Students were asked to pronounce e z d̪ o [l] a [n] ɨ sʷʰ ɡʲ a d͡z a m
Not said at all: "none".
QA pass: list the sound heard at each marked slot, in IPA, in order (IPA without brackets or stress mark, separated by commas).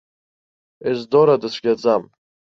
ɾ, d